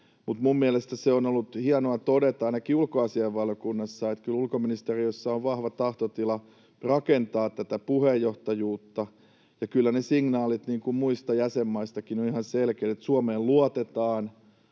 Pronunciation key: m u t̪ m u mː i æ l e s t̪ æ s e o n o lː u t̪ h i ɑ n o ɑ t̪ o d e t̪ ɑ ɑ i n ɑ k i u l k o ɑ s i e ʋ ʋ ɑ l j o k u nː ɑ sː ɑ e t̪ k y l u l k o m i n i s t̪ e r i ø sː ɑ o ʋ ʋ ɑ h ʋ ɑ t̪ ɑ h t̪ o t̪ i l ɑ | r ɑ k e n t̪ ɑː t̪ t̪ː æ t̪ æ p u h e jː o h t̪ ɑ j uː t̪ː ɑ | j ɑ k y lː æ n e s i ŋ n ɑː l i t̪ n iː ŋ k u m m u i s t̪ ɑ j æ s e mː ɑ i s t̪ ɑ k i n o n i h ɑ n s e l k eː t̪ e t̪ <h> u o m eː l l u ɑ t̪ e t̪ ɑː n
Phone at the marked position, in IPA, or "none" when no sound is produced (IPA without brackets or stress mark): s